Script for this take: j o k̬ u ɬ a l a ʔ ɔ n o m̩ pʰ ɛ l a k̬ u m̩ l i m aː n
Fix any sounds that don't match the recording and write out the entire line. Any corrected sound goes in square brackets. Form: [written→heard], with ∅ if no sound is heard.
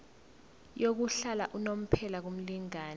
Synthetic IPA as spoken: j o k̬ u ɬ a l a ʔ [ɔ→u] n o m̩ pʰ ɛ l a k̬ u m̩ l i [m→ŋ] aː n